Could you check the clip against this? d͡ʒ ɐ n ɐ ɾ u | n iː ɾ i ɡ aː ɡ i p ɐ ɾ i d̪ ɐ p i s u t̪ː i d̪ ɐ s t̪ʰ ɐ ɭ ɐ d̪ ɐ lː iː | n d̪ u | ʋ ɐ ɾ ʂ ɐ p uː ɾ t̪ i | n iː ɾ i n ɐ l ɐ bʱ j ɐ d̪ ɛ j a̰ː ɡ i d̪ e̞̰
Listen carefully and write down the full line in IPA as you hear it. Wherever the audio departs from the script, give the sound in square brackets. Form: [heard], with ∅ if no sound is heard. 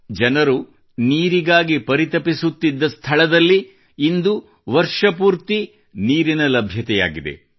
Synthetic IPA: d͡ʒ ɐ n ɐ ɾ u | n iː ɾ i ɡ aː ɡ i p ɐ ɾ i [t̪] ɐ p i s u t̪ː i [d̪ː] ɐ s t̪ʰ ɐ ɭ ɐ d̪ ɐ lː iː | n d̪ u | ʋ ɐ ɾ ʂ ɐ p uː ɾ t̪ i | n iː ɾ i n ɐ l ɐ bʱ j ɐ [t̪] ɛ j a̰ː ɡ i d̪ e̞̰